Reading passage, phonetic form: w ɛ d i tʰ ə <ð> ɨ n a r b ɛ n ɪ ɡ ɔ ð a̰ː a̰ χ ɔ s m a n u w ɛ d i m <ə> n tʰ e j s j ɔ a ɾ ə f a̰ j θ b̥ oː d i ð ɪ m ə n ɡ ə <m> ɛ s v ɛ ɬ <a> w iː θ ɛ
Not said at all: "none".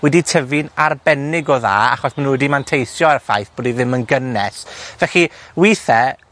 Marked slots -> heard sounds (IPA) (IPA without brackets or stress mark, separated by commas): v, a, n, i